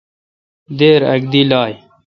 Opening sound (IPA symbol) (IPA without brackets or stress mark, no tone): d̪